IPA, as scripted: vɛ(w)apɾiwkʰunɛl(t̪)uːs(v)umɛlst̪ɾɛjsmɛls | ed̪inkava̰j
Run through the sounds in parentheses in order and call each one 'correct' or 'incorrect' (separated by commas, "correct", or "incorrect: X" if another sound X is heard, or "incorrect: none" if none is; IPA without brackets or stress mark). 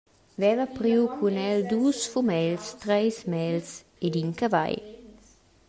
incorrect: v, incorrect: d̪, incorrect: f